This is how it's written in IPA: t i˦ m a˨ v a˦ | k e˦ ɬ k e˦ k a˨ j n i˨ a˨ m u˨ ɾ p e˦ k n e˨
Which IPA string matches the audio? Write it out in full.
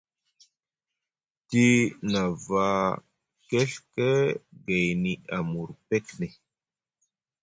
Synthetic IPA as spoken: t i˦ n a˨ v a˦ | k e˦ ɬ k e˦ ɡ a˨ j n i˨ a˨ m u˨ ɾ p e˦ k n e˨